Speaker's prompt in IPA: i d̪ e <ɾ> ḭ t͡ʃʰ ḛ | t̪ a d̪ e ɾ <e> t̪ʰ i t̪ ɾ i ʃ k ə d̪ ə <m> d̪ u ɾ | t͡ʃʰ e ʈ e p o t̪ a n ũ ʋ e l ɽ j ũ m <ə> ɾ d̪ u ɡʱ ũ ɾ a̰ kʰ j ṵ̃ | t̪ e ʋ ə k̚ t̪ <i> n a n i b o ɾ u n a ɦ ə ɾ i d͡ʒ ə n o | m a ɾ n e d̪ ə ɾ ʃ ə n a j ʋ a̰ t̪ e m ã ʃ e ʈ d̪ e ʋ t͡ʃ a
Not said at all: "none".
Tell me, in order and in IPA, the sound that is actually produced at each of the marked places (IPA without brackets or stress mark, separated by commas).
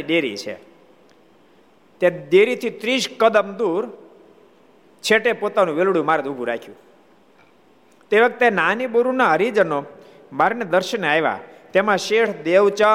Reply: ɾ, i, m, a, e